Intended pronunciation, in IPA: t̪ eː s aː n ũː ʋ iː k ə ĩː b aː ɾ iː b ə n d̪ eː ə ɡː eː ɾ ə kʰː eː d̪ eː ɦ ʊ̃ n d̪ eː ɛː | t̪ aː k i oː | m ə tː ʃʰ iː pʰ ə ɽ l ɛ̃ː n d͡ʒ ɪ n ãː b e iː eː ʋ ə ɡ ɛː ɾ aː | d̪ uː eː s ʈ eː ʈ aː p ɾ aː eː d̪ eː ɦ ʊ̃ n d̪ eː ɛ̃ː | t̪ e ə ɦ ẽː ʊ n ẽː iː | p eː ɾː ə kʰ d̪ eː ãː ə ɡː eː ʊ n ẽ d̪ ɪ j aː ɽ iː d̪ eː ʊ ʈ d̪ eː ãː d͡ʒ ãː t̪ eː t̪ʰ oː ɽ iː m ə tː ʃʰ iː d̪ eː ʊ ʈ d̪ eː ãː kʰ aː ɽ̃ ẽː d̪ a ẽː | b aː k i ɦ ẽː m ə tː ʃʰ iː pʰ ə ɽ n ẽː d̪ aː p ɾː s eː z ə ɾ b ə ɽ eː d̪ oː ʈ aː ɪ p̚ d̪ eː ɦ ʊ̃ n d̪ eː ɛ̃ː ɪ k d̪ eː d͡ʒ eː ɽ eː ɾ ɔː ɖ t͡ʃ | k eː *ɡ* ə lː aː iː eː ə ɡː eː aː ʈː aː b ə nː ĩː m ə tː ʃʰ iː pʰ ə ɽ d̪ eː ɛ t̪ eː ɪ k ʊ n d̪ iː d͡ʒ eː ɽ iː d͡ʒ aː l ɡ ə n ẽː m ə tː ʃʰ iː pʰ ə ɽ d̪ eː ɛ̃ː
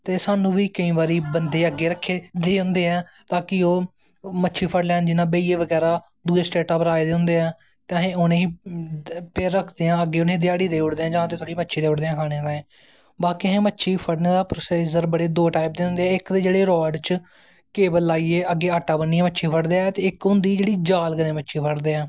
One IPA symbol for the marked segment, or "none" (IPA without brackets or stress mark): b